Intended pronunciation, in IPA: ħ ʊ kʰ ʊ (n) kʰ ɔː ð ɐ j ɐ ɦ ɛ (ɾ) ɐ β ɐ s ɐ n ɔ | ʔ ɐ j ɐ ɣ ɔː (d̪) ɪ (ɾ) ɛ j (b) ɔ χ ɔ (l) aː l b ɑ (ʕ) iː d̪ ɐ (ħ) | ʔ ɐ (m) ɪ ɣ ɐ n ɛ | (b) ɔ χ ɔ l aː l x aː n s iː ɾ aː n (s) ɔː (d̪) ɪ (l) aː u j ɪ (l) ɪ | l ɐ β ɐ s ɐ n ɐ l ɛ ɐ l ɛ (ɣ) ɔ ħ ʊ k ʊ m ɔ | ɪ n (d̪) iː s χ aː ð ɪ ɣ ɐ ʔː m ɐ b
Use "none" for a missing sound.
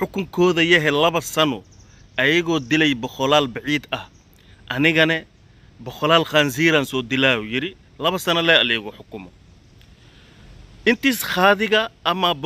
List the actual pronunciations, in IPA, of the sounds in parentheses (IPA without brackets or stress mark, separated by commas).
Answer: ŋ, l, d̪, l, b, l, ʕ, h, n, b, s, d̪, l, ɾ, ɣ, t̪